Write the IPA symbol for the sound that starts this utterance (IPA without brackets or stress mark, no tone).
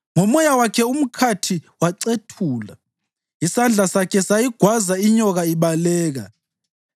ŋ